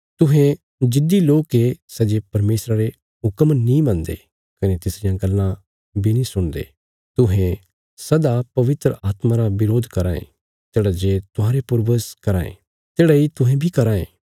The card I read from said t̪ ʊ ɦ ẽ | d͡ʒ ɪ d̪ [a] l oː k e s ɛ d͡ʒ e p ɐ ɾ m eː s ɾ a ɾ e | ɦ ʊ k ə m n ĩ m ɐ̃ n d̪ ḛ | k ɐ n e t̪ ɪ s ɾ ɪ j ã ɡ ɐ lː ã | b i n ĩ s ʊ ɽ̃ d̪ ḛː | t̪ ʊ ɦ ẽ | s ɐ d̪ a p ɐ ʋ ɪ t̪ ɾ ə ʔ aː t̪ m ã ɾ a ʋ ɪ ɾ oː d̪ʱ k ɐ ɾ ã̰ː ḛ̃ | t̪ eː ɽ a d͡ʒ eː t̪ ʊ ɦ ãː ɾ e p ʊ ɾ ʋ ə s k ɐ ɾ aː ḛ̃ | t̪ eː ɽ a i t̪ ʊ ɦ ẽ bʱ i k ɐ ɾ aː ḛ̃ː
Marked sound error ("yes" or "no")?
yes